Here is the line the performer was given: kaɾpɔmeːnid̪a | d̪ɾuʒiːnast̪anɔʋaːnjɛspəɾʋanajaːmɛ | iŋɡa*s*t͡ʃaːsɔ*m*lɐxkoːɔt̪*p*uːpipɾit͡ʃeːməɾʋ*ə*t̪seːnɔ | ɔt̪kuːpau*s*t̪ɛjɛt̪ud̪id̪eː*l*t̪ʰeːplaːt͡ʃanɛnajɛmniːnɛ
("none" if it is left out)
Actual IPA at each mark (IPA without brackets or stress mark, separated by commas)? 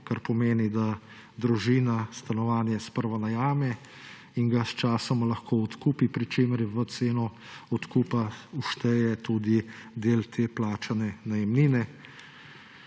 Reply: s, m, k, ə, ʃ, l